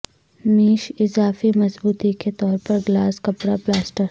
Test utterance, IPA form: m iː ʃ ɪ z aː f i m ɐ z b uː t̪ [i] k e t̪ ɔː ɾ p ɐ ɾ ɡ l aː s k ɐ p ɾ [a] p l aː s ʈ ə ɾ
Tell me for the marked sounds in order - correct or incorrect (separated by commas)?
correct, correct